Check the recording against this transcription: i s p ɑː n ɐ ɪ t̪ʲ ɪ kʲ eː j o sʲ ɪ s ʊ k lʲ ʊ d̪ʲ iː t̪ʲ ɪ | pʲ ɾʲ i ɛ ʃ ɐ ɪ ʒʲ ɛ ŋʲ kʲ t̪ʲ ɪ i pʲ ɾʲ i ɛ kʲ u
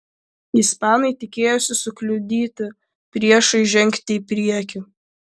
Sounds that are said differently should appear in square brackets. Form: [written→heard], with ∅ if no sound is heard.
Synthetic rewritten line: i s p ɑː n ɐ ɪ t̪ʲ ɪ kʲ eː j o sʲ ɪ s ʊ k lʲ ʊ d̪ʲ iː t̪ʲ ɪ | pʲ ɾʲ i ɛ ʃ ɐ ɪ ʒʲ ɛ ŋʲ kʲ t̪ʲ ɪ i pʲ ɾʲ i ɛ kʲ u